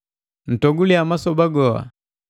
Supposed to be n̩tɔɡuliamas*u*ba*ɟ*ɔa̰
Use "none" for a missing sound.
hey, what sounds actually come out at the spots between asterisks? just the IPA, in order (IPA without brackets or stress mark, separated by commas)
ɔ, ɡ